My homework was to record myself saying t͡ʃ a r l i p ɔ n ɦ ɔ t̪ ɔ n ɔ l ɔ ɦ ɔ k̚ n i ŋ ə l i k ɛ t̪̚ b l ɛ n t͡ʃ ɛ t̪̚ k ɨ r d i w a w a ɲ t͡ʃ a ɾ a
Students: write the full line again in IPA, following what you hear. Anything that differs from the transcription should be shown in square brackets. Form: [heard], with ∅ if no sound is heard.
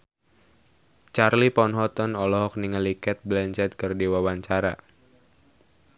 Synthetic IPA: t͡ʃ a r l i p ɔ n ɦ ɔ t̪ ɔ n ɔ l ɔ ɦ ɔ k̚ n i ŋ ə l i k ɛ t̪̚ b l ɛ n t͡ʃ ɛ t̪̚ k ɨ r d i w a w a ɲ t͡ʃ a ɾ a